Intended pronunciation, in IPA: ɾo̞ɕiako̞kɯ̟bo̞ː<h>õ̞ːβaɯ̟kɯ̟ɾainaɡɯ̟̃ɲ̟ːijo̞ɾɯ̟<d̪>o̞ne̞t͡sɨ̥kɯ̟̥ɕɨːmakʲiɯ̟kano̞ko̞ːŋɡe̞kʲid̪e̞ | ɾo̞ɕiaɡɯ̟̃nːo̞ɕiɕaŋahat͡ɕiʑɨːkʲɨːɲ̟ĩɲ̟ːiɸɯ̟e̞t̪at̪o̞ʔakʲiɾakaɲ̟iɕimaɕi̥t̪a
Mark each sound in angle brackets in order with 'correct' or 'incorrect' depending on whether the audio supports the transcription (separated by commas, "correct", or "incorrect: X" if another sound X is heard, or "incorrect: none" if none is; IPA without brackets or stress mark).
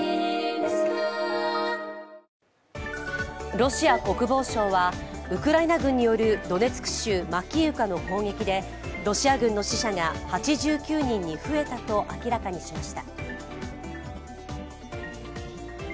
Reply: incorrect: ɕ, correct